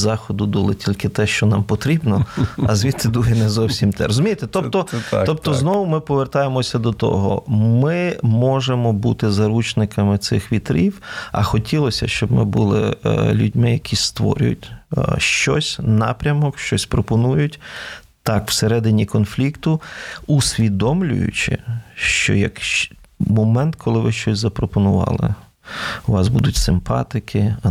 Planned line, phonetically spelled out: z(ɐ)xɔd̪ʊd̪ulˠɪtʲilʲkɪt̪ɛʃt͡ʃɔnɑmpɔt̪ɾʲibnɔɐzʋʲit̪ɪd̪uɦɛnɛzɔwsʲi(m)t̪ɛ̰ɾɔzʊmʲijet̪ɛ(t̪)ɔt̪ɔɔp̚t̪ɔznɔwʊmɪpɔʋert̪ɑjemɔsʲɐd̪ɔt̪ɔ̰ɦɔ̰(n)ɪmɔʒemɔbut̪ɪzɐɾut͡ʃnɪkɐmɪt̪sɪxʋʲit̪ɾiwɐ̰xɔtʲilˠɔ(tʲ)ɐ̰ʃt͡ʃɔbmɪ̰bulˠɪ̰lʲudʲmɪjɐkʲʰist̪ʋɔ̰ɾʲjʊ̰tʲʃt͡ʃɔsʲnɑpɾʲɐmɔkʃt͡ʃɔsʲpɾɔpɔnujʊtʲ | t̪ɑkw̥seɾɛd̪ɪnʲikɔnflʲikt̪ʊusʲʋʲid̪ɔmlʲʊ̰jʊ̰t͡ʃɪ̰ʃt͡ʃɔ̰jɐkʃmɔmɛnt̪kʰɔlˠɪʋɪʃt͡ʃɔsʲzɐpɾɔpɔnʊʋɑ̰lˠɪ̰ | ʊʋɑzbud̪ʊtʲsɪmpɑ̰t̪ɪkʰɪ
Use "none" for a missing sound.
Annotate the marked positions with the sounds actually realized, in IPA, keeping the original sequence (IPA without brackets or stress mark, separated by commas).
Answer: ɑ, m, t̪, m, sʲ